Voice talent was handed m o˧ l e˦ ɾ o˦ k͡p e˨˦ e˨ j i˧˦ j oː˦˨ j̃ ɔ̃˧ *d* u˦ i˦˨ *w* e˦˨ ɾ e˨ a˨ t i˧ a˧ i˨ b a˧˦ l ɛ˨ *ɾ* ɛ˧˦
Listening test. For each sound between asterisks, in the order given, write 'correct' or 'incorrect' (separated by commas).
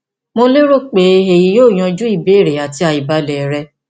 incorrect, incorrect, correct